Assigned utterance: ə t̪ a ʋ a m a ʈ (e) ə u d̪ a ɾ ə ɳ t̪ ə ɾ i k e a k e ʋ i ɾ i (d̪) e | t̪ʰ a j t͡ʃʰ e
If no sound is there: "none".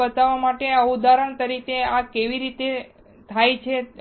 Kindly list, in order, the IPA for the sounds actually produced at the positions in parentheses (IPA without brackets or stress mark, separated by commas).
e, t̪